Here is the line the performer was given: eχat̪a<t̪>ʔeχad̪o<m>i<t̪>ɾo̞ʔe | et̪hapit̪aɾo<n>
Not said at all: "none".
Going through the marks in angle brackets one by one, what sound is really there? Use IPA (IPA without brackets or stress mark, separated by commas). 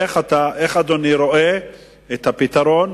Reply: none, n, none, n